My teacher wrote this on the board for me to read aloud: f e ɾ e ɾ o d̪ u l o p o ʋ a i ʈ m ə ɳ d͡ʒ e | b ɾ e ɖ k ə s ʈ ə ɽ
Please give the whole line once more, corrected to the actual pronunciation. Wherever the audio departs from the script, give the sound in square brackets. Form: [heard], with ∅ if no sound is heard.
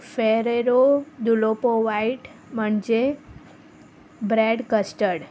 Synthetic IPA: f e ɾ e ɾ o d̪ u l o p o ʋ a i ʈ m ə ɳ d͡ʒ e | b ɾ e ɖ k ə s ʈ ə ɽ